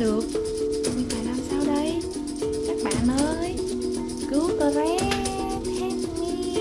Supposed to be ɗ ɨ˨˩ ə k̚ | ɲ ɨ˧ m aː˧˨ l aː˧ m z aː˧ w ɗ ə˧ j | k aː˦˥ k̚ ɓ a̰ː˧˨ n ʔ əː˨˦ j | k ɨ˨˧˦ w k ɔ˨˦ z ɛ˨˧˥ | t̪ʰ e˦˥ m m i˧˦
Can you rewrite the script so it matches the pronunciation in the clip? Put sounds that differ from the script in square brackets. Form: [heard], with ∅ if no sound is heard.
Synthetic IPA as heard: ɗ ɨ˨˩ ə k̚ | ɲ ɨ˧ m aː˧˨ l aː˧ m [s] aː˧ w ɗ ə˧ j | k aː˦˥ k̚ ɓ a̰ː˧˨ n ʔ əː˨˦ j | k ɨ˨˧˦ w k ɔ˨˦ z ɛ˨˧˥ | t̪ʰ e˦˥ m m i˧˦